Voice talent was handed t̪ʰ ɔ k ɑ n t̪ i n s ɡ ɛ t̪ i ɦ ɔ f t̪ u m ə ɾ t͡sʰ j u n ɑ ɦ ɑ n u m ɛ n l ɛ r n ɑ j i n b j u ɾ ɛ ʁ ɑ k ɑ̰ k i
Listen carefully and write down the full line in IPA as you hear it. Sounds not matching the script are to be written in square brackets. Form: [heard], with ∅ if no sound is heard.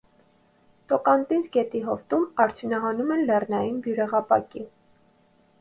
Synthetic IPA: [t̪] ɔ k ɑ n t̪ i n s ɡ ɛ t̪ i ɦ ɔ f t̪ u m [ɑ] ɾ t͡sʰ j u n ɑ ɦ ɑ n u m ɛ n l ɛ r n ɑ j i n b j u ɾ ɛ ʁ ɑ [p] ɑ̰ k i